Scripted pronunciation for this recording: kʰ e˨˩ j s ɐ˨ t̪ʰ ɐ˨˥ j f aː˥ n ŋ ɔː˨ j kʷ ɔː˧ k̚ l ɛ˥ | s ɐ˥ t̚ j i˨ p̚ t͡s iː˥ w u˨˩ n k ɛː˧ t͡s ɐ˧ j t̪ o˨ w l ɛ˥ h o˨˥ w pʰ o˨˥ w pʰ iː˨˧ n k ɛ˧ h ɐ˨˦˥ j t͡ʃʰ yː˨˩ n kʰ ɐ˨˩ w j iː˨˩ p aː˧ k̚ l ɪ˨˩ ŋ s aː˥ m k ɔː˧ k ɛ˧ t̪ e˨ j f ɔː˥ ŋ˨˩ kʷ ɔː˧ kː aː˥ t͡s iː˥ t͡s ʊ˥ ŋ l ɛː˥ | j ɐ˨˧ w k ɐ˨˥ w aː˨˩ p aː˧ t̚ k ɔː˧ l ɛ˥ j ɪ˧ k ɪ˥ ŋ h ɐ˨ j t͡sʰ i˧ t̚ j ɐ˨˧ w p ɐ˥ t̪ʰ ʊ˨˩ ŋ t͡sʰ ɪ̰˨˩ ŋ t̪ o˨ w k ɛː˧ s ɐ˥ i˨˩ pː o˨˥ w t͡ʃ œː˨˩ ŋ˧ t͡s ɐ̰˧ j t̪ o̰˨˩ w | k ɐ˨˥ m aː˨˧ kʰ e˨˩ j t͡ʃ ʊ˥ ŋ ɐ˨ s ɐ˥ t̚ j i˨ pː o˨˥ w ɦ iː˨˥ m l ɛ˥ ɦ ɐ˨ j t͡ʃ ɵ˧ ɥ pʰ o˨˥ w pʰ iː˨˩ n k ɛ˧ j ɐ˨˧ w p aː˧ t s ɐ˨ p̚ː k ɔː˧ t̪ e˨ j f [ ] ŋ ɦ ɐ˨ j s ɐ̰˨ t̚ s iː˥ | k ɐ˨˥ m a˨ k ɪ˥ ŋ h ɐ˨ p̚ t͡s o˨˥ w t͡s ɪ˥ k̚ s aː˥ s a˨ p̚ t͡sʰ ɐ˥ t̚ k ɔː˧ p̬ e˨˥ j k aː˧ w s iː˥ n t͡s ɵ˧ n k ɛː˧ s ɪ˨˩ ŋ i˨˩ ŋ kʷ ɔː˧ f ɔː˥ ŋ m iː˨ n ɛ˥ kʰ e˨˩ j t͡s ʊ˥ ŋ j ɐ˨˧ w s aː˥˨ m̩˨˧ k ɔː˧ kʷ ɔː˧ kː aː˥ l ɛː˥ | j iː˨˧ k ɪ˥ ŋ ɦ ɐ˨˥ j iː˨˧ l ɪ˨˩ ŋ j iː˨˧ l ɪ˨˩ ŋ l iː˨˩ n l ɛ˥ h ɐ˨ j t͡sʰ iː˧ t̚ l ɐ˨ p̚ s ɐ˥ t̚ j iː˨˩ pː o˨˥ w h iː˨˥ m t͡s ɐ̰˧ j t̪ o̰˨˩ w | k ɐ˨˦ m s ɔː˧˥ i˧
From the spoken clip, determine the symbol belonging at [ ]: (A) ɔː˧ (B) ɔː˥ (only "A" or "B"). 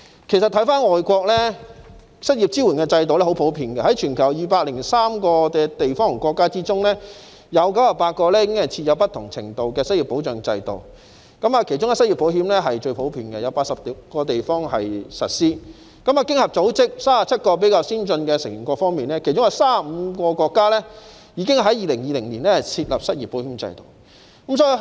B